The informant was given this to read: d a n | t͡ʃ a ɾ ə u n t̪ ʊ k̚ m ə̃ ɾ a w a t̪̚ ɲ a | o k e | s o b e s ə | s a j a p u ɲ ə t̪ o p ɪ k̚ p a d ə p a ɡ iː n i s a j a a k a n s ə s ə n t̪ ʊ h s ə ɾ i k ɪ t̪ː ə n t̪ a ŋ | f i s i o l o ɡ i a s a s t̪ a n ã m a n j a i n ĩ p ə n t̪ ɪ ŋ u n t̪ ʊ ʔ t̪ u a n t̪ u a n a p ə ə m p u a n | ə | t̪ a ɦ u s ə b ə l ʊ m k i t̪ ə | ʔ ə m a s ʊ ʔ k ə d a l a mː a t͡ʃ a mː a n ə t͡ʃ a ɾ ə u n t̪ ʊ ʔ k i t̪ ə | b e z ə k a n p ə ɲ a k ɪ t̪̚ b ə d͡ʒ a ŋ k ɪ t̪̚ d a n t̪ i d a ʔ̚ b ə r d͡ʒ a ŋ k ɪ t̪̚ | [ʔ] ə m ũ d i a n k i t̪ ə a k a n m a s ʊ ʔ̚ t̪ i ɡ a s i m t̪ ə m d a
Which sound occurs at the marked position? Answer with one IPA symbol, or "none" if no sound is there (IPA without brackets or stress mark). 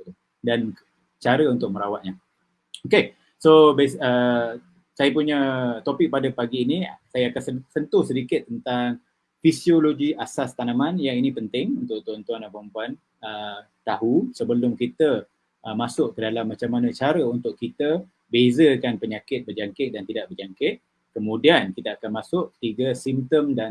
k